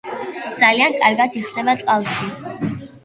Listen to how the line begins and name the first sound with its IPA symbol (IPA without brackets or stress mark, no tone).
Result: d̪